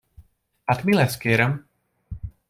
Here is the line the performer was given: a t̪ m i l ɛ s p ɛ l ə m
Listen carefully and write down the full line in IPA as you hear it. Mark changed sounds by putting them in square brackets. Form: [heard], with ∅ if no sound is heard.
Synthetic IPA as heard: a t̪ m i l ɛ s [k] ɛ [ɾ] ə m